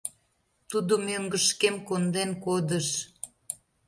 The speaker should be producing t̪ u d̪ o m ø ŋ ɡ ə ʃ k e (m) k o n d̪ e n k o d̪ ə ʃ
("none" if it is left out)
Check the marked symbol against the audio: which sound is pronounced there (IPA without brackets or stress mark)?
m